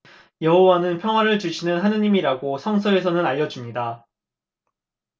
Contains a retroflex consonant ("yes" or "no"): yes